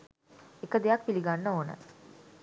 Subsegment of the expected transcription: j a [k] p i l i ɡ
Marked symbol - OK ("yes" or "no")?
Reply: yes